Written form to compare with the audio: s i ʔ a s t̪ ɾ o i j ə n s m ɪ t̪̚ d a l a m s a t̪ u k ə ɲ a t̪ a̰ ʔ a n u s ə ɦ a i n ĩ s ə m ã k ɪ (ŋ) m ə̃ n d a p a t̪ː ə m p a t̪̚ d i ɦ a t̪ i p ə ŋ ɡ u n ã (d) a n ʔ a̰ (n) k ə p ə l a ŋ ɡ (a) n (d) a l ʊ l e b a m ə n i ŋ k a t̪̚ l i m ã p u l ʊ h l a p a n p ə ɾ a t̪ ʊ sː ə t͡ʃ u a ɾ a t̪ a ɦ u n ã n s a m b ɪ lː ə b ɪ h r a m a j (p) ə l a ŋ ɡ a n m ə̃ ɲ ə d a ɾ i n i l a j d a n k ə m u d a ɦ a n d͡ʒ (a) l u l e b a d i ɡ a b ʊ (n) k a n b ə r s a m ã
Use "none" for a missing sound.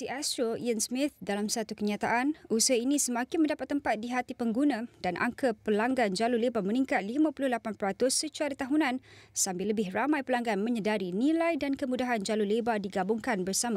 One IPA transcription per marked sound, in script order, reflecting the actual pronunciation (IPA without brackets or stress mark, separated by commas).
n, d, ŋ, a, d͡ʒ, p, a, ŋ